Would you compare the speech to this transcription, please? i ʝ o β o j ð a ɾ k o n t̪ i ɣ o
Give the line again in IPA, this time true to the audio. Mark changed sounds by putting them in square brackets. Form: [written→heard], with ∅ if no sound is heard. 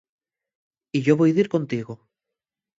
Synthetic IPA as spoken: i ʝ o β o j ð [a→i] ɾ k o n t̪ i ɣ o